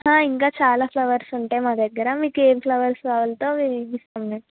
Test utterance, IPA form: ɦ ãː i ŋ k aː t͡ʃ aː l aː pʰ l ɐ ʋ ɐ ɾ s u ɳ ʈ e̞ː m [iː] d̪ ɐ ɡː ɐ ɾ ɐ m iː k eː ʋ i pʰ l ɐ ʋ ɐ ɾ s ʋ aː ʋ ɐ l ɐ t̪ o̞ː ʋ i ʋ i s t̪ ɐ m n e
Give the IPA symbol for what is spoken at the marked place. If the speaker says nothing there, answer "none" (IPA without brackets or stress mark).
aː